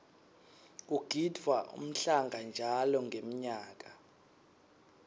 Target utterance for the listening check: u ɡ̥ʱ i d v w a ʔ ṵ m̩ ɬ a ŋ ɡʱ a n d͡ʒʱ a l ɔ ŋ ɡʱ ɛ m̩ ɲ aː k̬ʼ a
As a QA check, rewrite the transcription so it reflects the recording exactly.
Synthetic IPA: u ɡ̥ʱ i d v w a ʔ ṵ m̩ ɬ a ŋ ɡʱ a n d͡ʒʱ a l ɔ ŋ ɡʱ e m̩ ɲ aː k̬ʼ a